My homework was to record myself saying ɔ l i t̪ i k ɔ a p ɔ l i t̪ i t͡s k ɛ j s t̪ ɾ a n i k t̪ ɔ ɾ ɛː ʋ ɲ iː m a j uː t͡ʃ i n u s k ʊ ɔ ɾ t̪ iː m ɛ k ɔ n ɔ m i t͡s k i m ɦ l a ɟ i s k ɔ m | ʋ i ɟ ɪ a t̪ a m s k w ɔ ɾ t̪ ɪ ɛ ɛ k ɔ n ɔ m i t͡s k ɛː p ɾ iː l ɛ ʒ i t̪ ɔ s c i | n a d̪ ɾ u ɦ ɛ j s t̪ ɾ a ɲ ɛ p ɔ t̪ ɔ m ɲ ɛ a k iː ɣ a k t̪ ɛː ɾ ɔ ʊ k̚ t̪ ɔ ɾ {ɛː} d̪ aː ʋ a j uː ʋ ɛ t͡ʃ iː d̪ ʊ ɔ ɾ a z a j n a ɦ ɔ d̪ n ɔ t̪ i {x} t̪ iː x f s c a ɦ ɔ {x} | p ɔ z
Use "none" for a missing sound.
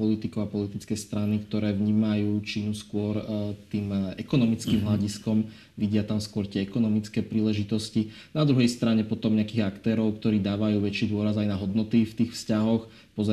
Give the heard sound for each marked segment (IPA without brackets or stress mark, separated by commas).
iː, f, x